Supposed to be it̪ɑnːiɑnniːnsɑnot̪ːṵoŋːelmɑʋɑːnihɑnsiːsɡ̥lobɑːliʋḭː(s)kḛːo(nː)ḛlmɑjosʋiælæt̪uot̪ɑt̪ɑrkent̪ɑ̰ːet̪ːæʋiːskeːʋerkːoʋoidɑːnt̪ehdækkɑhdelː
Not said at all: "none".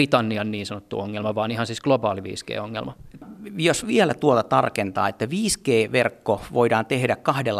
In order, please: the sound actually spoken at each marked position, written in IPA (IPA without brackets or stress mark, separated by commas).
s, ŋː